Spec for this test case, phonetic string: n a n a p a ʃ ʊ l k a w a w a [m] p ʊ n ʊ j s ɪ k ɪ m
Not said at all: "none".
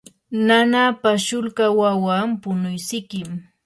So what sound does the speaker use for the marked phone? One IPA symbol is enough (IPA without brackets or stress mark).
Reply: m